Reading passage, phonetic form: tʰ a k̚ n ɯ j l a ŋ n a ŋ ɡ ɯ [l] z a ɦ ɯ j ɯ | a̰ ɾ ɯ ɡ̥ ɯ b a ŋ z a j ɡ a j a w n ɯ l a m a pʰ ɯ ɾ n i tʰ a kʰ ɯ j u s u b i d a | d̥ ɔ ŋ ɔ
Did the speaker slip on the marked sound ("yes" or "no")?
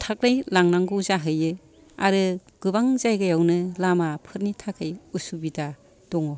yes